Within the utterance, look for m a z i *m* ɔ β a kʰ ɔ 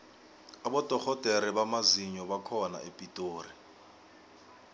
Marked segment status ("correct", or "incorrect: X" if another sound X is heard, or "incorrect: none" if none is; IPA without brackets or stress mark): incorrect: ɲ